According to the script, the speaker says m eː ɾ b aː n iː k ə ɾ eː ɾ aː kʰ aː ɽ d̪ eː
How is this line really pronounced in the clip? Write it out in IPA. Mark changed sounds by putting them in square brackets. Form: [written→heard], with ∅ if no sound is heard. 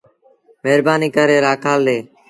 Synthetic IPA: m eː ɾ b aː n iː k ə ɾ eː ɾ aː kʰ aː [ɽ→l] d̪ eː